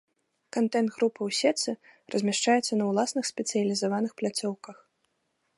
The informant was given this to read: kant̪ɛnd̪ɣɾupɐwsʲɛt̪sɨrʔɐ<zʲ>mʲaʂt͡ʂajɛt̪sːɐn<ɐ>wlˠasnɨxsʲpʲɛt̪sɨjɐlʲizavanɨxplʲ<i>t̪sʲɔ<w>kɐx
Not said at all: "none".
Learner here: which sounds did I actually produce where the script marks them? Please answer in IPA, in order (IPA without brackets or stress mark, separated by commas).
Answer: zʲ, ɐ, a, w